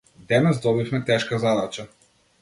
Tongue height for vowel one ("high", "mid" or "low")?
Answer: mid